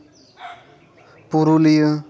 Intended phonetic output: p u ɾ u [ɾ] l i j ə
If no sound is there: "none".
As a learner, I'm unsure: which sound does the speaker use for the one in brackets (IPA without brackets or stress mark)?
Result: none